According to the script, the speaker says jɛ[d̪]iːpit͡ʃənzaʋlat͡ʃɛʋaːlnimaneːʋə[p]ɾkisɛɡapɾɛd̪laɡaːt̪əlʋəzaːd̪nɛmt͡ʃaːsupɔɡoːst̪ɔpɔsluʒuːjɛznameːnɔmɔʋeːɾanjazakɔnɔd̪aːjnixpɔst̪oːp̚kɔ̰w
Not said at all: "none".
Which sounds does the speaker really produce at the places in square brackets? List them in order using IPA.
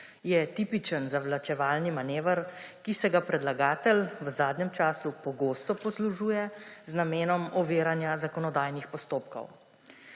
t̪, none

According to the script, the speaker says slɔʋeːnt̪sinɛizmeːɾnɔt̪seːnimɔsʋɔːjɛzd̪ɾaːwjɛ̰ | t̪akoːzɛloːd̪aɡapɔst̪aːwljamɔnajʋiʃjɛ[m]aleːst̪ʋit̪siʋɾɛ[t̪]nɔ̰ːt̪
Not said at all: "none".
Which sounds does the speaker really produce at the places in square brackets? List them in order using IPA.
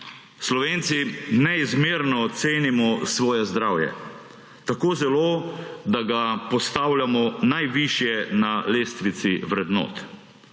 n, d̪

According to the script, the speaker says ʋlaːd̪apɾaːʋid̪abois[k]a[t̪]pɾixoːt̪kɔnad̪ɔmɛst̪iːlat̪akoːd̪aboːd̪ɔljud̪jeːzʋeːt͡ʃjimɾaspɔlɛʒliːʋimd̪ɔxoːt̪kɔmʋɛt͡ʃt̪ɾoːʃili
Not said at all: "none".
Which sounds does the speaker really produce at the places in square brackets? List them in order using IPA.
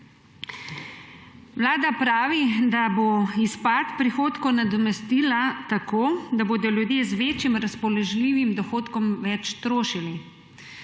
p, t̪

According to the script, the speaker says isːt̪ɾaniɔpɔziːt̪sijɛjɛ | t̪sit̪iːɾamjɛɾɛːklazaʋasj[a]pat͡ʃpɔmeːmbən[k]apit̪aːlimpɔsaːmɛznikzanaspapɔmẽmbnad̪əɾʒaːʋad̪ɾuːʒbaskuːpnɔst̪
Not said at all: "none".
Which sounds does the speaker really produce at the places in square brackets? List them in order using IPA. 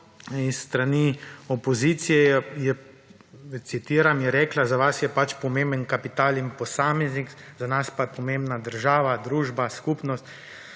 ɛ, k

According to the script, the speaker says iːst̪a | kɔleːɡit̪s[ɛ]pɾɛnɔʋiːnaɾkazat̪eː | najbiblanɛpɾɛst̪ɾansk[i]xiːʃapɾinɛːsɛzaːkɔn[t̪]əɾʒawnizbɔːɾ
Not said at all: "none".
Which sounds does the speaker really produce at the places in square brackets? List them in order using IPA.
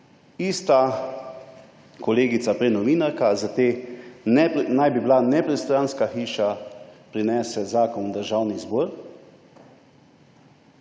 a, a, d̪

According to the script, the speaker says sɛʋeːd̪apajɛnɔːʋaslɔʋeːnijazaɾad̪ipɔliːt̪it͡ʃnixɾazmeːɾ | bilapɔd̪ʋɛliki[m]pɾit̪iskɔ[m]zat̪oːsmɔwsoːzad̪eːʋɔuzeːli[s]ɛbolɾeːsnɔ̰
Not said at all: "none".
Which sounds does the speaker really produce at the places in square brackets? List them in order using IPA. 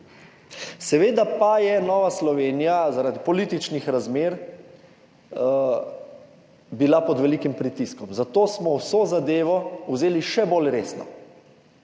m, m, ʃ

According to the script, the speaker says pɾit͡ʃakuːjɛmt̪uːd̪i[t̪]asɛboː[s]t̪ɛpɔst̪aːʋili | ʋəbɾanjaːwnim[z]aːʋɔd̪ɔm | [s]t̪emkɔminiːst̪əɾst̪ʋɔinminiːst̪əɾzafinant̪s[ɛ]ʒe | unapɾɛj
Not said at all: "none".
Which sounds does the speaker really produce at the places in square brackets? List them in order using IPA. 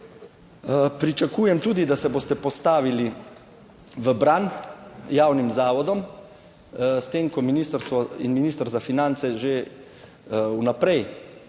d̪, s, z, s, ɛ

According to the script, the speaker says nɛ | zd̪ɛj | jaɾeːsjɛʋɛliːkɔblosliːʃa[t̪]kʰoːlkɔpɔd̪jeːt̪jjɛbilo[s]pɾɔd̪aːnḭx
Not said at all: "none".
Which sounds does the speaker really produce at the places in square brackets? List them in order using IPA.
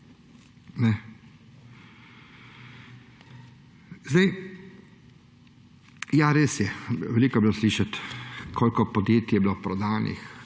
t̪, none

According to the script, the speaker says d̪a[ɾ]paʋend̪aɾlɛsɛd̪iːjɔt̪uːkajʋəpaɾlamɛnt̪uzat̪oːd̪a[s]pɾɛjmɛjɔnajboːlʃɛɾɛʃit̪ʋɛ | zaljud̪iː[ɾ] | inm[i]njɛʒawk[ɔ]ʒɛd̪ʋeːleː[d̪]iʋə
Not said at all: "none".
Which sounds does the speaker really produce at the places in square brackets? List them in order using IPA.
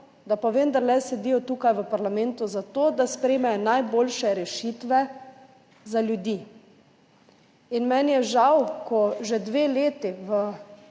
none, s, none, ɛ, ɔ, t̪

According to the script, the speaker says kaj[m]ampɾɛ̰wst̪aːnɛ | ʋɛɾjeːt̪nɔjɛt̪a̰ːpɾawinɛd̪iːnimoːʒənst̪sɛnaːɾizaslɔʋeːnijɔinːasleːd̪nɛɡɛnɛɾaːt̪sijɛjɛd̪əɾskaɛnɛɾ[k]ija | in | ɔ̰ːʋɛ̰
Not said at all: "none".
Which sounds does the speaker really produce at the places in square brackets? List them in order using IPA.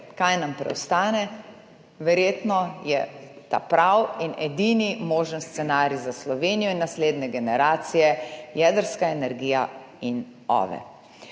n, ɡ

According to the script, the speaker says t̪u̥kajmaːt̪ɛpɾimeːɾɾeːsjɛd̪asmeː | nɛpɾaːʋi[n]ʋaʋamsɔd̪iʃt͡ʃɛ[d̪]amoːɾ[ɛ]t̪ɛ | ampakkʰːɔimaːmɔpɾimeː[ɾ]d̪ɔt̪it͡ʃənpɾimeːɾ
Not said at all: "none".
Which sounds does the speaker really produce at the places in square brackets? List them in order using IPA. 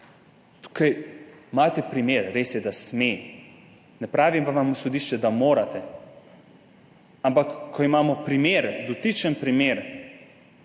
m, d̪, a, ɾ

